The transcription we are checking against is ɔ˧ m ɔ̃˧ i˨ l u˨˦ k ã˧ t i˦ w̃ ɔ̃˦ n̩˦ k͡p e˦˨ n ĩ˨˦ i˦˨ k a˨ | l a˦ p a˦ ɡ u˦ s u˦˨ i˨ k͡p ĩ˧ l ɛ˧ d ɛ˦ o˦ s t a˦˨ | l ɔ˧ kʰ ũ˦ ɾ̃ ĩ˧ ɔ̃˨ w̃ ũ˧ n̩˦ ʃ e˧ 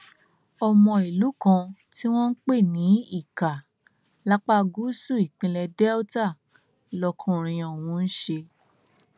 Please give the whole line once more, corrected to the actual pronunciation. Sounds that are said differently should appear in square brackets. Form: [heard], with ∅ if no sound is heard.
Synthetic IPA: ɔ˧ m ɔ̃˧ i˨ l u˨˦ k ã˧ t i˦ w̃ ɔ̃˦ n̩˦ k͡p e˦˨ n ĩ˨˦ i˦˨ k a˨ | l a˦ [k͡p] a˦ ɡ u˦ s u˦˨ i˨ k͡p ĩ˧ l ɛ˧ d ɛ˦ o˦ [∅] t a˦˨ | l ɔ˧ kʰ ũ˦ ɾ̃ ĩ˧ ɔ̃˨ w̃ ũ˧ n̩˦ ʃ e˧